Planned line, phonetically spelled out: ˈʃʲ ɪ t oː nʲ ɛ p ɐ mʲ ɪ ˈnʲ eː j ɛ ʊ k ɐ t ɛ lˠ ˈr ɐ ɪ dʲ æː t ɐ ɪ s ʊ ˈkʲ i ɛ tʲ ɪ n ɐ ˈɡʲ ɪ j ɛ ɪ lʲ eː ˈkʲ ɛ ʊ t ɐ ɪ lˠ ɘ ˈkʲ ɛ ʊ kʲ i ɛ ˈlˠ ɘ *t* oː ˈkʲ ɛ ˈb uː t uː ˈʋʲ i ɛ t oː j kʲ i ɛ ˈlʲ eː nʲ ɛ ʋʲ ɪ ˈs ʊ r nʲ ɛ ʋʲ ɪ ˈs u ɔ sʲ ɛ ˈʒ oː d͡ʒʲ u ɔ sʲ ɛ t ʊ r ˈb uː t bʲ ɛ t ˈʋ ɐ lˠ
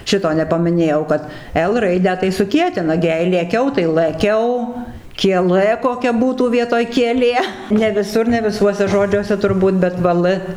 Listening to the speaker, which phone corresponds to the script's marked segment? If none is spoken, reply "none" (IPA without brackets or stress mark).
k